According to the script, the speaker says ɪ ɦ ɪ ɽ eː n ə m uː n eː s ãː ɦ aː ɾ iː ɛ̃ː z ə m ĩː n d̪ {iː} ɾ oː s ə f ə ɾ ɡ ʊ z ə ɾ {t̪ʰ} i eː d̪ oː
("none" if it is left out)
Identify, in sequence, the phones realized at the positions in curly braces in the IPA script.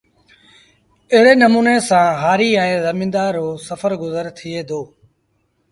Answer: aː, t̪ʰ

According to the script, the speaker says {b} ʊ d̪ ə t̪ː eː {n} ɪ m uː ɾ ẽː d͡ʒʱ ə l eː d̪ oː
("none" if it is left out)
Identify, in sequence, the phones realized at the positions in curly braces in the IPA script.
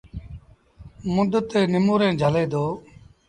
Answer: m, n

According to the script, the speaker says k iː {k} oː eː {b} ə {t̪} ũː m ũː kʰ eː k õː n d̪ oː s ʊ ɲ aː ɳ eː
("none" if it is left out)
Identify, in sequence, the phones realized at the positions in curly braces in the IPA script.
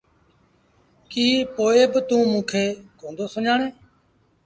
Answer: p, b, t̪

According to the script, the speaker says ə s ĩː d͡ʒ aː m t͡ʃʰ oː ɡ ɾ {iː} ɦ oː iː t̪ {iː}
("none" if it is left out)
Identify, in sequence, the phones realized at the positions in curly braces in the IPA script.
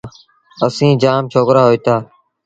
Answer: aː, aː

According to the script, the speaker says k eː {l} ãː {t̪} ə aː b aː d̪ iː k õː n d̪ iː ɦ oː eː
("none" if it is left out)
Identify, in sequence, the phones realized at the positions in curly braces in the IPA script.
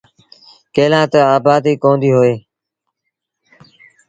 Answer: l, t̪

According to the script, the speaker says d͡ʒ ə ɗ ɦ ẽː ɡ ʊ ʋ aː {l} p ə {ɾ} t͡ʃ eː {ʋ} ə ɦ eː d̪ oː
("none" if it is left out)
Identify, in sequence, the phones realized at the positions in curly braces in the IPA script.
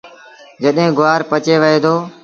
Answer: ɾ, none, ʋ

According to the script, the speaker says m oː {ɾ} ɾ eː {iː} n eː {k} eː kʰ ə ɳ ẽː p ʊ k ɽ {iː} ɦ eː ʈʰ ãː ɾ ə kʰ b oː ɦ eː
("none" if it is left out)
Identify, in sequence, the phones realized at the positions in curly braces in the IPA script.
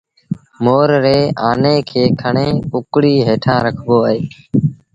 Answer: ɾ, aː, kʰ, iː

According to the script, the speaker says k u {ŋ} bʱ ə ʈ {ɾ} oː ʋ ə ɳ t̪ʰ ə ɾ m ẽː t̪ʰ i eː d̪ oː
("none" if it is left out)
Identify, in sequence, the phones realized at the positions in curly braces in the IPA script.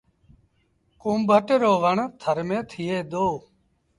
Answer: m, ɾ

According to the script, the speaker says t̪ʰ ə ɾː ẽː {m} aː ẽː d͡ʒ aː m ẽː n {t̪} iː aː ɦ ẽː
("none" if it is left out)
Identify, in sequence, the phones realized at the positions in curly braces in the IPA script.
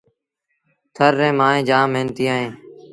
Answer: m, t̪

